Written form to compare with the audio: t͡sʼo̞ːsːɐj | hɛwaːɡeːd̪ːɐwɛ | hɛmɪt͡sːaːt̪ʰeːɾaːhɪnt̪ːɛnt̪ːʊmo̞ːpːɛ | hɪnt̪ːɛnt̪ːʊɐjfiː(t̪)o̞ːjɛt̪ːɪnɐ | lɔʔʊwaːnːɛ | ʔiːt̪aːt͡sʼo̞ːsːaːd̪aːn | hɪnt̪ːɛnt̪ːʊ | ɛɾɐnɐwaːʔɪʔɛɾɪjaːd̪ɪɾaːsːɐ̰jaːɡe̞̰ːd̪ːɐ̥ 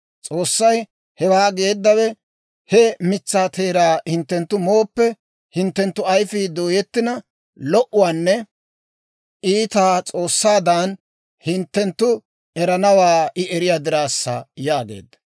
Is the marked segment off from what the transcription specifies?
yes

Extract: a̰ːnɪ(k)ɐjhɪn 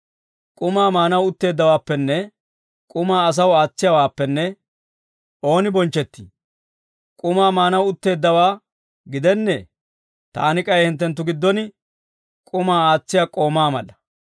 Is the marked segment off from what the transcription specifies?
yes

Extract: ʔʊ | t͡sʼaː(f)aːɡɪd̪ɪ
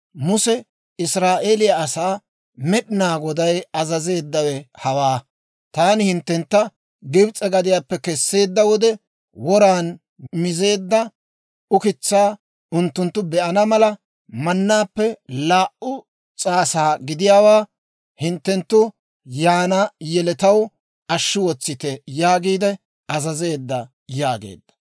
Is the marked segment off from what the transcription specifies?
yes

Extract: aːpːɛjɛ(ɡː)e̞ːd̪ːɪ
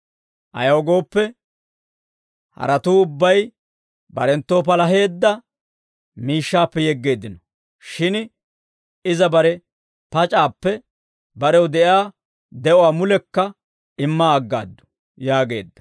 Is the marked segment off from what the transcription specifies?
no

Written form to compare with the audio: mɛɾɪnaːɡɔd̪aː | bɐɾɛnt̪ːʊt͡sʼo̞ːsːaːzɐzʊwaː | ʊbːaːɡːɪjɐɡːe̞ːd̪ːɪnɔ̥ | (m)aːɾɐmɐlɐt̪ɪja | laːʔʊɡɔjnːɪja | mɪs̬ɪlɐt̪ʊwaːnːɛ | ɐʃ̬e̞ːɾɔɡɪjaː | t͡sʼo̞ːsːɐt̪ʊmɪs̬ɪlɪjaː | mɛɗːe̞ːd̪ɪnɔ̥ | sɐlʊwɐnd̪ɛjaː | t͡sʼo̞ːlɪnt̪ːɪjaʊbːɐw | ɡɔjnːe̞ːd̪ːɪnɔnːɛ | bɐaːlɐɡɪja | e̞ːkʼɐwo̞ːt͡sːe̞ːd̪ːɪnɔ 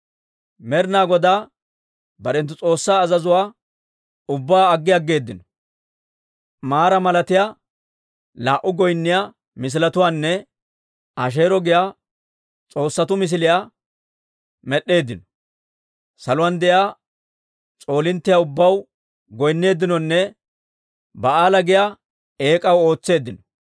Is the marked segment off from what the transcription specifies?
no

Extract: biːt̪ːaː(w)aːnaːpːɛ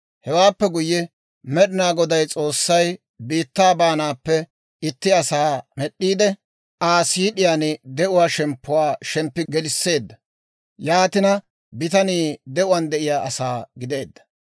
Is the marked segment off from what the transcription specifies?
yes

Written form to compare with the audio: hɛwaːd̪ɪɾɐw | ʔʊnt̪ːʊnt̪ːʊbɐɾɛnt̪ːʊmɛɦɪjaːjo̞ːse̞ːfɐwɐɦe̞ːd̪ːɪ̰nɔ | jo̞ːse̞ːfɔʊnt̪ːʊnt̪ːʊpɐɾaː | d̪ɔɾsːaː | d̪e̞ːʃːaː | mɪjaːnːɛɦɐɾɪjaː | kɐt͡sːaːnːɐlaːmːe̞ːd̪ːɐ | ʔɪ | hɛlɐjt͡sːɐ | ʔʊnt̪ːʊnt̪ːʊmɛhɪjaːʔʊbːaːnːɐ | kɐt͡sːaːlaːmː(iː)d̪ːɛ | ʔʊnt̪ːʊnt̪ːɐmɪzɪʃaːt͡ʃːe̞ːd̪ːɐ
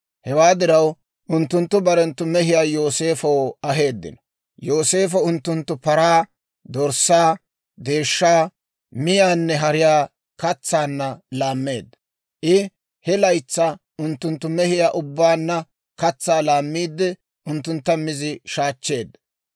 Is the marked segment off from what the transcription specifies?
no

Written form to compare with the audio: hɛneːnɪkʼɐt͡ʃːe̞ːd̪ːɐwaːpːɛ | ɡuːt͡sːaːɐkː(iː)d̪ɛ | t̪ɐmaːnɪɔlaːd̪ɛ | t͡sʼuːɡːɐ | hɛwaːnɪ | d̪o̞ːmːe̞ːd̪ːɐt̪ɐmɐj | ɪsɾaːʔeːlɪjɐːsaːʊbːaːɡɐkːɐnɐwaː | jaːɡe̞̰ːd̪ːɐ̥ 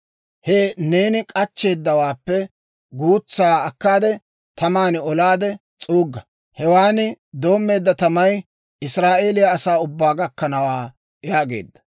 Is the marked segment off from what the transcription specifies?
yes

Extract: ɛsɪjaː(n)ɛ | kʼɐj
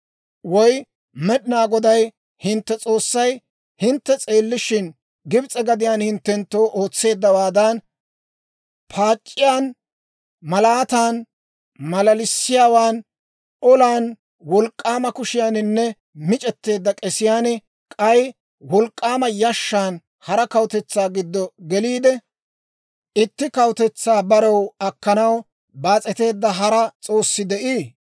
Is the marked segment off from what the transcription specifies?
no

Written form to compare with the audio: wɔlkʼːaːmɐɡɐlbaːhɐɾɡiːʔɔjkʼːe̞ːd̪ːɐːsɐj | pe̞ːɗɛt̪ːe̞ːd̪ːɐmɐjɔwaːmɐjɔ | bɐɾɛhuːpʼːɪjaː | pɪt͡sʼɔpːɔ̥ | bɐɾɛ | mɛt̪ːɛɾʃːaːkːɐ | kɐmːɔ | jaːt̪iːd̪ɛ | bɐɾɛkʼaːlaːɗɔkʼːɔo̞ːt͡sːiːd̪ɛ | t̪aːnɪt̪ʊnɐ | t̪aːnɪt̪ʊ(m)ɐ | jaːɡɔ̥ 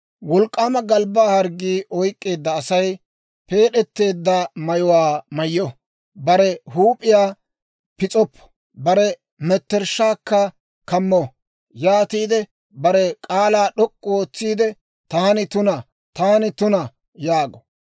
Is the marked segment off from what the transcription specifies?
yes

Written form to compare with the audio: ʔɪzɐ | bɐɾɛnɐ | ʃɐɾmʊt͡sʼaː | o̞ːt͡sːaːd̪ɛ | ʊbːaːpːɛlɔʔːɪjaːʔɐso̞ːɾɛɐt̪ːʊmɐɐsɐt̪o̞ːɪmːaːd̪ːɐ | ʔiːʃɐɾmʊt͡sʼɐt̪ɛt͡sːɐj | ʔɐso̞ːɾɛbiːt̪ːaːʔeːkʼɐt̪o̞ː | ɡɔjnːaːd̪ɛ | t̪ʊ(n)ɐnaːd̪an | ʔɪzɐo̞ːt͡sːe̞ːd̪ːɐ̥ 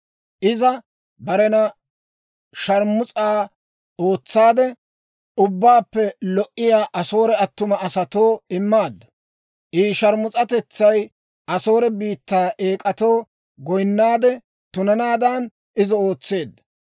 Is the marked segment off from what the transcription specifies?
no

